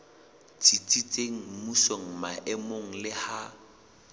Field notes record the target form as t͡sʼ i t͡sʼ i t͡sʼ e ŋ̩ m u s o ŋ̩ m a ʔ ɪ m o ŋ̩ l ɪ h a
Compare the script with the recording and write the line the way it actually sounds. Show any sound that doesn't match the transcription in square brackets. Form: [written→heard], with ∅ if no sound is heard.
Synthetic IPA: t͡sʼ i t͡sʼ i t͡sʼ e ŋ̩ m u s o ŋ̩ m a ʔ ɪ m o ŋ̩ l ɪ h a